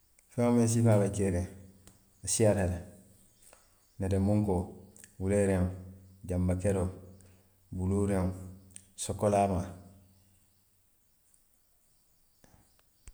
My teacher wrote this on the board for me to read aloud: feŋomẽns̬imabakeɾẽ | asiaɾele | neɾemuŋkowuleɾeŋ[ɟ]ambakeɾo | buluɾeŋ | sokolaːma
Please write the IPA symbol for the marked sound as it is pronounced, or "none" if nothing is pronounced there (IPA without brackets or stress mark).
ɟ